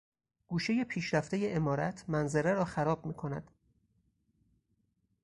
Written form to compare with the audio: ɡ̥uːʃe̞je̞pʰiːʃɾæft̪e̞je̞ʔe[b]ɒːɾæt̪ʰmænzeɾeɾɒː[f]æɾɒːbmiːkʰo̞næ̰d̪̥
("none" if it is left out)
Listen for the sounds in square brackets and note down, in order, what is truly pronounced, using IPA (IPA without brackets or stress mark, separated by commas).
m, x